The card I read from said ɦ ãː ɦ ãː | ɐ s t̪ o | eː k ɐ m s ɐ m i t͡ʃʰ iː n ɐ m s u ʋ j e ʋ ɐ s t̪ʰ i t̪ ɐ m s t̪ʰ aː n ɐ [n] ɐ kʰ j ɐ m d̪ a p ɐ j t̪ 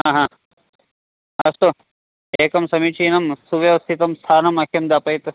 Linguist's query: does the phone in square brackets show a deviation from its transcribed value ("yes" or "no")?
yes